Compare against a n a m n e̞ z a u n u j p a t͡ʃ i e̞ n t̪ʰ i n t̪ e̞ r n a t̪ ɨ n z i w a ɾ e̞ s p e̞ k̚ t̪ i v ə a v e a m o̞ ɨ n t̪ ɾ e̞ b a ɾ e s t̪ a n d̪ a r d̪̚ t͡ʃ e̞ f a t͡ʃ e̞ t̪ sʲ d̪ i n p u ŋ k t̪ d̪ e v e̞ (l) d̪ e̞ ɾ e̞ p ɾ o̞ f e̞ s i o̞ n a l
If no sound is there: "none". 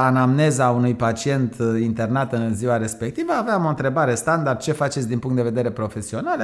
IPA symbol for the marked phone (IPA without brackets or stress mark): none